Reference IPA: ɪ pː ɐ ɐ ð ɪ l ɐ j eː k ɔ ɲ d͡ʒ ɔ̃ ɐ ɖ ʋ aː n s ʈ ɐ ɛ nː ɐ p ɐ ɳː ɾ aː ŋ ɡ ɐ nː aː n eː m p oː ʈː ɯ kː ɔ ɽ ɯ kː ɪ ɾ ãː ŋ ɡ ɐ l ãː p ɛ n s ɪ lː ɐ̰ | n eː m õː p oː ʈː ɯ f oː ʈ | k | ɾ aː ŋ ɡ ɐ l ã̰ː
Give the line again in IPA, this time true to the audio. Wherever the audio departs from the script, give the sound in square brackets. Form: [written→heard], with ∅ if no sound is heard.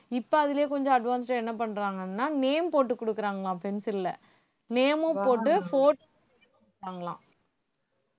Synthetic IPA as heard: ɪ pː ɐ ɐ ð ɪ l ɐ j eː k ɔ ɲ d͡ʒ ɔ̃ ɐ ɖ ʋ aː n s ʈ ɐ ɛ nː ɐ p ɐ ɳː ɾ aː ŋ ɡ ɐ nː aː n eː m p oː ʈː ɯ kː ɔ ɽ ɯ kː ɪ ɾ [ãː→aː] ŋ ɡ ɐ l ãː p ɛ n s ɪ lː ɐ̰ | n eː m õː p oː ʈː ɯ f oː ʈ | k | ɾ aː ŋ ɡ ɐ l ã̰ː